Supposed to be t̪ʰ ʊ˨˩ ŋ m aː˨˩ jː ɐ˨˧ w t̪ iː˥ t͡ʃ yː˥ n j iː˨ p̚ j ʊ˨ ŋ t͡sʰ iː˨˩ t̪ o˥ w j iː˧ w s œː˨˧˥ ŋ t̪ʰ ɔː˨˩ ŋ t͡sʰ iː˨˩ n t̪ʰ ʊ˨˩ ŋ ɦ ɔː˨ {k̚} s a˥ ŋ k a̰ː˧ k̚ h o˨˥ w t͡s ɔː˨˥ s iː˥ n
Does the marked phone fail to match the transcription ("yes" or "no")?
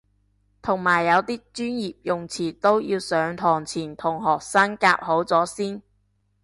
no